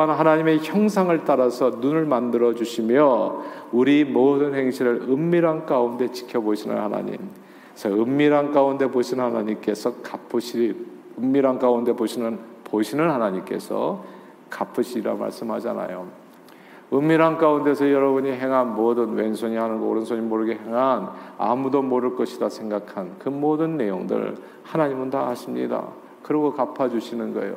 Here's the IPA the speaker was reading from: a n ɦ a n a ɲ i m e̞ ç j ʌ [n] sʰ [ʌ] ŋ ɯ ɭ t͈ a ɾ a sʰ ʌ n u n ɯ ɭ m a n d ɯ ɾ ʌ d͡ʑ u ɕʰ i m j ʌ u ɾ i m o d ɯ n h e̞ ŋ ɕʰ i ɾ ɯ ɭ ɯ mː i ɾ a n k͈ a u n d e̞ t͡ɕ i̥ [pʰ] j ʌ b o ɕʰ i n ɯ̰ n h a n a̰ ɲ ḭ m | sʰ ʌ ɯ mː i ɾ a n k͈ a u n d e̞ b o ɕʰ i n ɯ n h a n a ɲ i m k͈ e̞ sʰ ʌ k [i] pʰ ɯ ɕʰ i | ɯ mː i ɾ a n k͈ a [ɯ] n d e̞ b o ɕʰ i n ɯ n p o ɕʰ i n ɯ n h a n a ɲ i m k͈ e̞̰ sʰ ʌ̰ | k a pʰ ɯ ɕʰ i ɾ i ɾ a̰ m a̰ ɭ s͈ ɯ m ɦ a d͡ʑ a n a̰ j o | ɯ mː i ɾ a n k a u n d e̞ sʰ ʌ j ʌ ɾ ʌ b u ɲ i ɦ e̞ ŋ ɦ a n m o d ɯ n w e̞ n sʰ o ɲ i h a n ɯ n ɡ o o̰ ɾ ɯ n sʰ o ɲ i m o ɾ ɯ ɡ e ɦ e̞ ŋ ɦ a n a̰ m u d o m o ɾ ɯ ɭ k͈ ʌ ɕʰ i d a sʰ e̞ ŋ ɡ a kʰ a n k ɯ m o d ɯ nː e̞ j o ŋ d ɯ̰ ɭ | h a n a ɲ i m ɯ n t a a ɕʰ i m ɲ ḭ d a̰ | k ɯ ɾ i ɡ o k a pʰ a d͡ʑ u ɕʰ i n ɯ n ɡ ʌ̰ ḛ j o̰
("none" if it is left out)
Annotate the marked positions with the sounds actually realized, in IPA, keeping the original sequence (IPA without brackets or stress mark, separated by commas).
ŋ, a, kʰ, a, u